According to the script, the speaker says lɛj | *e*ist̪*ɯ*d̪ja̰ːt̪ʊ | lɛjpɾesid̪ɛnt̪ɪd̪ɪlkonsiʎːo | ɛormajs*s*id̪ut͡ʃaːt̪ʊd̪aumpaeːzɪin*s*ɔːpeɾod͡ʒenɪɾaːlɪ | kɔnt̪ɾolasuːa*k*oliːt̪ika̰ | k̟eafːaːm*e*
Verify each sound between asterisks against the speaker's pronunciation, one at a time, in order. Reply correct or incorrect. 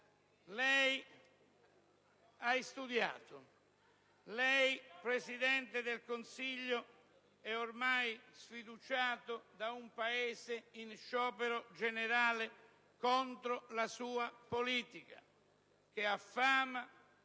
incorrect, incorrect, incorrect, incorrect, incorrect, incorrect

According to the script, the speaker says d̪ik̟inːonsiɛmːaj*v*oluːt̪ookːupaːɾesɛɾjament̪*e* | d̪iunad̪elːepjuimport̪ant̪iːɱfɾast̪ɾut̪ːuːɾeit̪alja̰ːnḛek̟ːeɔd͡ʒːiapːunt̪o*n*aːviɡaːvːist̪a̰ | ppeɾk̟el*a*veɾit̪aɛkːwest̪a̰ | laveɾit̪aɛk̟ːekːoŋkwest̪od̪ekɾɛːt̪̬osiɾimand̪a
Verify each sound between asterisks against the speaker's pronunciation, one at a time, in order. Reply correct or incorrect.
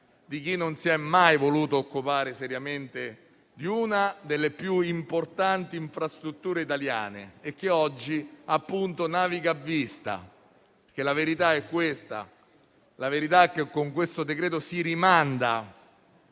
correct, correct, correct, correct

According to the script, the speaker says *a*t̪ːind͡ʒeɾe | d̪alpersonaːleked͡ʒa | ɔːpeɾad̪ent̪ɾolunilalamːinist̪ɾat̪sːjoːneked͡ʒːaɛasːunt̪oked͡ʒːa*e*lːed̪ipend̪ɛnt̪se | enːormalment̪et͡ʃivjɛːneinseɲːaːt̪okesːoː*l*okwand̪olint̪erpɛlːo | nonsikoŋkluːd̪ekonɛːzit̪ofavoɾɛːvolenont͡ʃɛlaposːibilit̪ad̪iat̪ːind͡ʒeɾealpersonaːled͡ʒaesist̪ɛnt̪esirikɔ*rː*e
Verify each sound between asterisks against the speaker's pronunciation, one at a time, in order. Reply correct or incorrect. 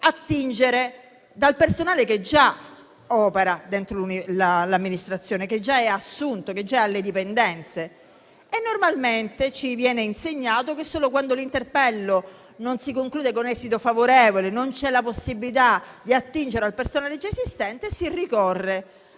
correct, incorrect, correct, correct

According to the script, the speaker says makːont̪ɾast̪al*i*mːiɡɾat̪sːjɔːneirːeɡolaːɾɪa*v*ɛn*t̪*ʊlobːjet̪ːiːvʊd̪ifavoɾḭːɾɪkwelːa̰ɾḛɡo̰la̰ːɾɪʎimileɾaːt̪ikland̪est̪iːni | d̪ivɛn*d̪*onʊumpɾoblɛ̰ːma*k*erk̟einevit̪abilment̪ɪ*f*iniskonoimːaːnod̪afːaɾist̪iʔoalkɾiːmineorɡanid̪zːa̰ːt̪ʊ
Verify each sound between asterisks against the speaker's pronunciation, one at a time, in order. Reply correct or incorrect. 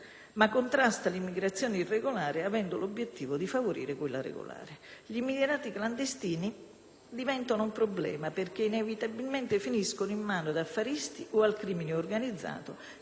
correct, correct, incorrect, incorrect, incorrect, correct

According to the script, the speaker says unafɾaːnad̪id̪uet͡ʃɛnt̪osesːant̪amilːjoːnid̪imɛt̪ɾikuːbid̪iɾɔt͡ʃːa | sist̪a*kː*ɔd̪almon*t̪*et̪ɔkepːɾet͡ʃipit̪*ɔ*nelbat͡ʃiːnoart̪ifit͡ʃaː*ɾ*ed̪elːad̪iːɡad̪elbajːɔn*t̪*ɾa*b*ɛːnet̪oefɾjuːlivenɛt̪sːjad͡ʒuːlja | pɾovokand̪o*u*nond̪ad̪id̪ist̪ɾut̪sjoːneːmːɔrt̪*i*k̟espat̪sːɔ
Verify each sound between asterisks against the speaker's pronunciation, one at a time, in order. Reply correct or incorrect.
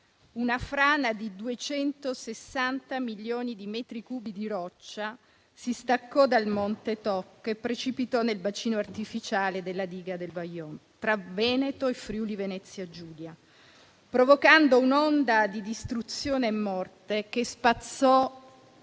correct, correct, correct, incorrect, correct, incorrect, correct, incorrect

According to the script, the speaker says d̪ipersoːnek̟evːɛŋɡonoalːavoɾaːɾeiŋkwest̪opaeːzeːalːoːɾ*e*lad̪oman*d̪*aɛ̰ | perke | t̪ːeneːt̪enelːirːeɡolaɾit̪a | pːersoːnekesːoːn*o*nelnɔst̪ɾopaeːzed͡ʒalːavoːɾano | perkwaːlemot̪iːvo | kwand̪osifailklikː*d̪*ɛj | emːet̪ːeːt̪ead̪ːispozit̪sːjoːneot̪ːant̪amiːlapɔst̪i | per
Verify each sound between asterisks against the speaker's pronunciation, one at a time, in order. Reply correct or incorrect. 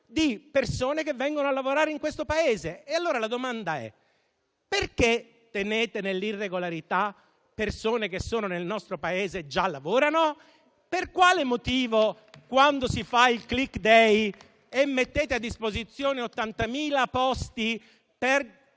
incorrect, correct, correct, correct

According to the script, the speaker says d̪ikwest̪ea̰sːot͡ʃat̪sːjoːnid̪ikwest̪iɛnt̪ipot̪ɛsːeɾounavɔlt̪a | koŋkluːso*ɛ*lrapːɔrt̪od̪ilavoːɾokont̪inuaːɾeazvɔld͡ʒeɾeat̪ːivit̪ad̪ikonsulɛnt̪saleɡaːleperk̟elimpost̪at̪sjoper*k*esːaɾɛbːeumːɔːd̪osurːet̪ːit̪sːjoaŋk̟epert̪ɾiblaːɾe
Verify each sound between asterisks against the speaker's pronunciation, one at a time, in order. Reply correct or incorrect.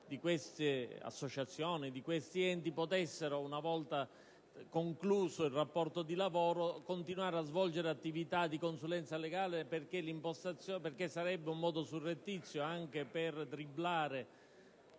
incorrect, correct

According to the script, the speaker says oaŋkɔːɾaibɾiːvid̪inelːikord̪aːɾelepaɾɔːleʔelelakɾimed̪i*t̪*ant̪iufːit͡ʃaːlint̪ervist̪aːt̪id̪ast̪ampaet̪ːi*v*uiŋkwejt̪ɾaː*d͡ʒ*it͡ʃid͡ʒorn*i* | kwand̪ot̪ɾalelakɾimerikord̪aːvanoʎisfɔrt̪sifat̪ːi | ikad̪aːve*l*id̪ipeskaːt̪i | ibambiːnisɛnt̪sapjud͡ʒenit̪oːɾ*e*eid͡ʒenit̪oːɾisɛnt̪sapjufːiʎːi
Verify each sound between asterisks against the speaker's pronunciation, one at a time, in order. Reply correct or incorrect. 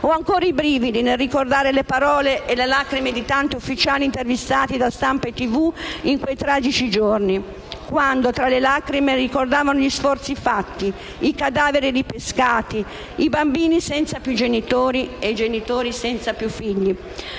correct, correct, correct, correct, incorrect, incorrect

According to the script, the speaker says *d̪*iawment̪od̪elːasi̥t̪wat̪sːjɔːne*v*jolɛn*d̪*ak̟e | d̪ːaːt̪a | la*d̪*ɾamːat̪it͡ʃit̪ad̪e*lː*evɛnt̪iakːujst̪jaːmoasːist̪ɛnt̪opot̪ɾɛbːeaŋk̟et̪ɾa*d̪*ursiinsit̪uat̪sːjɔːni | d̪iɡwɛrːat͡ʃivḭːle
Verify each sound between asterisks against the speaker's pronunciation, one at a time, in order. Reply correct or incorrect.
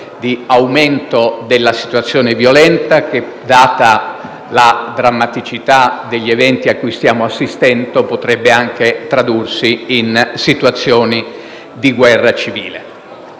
correct, correct, incorrect, correct, incorrect, correct

